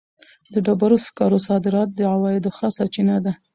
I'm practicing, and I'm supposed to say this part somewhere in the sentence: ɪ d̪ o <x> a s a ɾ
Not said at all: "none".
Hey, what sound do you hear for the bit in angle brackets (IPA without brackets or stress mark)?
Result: x